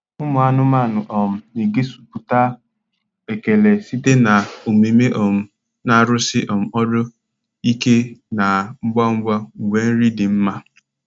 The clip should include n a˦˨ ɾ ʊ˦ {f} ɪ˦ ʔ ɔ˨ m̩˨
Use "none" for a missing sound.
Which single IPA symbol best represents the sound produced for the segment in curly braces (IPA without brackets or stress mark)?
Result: s